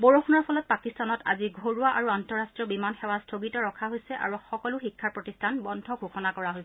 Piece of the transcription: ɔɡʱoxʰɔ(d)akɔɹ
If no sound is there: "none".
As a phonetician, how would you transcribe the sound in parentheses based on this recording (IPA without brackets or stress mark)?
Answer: n